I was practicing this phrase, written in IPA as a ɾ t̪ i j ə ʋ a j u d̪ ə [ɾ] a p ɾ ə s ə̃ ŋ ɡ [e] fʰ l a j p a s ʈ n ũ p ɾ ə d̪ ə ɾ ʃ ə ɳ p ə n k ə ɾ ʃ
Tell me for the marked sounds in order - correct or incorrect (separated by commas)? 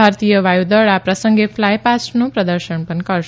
incorrect, correct